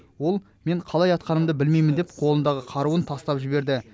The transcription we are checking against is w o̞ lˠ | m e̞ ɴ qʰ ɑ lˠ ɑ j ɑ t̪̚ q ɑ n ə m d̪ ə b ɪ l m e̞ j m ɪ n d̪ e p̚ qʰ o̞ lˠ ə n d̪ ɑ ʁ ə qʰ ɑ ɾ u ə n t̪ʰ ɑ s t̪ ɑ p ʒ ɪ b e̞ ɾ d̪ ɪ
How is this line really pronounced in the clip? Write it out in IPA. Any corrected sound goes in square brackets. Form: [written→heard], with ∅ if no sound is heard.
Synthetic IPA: w o̞ lˠ | m e̞ ɴ qʰ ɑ lˠ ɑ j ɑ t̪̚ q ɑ n ə m d̪ ə b ɪ l m e̞ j m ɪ n d̪ e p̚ qʰ o̞ lˠ ə n d̪ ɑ ʁ ə qʰ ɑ ɾ u ə n t̪ʰ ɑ s t̪ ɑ p ʒ ɪ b e̞ ɾ d̪ ɪ